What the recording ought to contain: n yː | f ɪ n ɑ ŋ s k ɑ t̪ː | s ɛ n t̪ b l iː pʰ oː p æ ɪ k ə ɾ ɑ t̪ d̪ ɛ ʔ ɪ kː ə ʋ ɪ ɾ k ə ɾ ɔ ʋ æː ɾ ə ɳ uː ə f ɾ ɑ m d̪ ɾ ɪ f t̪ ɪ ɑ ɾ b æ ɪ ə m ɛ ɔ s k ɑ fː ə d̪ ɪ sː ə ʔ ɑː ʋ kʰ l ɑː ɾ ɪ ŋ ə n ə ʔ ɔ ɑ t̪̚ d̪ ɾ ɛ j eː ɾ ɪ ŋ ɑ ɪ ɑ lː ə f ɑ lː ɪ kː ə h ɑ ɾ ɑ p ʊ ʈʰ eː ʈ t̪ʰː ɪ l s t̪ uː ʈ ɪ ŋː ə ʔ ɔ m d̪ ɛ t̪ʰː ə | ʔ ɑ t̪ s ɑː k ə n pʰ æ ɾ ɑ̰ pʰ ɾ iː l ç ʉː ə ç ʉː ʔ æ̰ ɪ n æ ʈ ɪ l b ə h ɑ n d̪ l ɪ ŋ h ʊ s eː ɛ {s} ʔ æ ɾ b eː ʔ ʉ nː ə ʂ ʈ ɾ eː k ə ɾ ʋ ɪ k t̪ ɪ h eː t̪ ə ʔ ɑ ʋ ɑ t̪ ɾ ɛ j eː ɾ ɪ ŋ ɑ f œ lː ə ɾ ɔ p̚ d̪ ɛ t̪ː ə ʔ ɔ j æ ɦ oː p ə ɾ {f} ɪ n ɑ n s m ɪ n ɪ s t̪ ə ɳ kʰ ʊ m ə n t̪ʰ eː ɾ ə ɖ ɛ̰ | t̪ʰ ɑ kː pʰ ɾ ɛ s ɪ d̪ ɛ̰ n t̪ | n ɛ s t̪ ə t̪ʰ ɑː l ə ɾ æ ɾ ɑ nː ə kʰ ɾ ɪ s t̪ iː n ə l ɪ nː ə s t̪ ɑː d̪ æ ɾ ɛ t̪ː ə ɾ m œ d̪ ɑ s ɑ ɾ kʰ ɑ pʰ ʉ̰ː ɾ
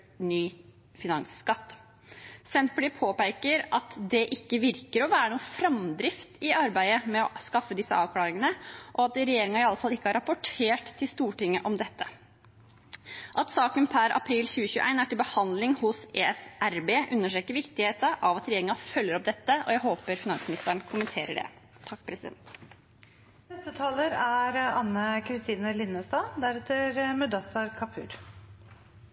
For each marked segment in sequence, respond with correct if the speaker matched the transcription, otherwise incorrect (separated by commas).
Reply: correct, correct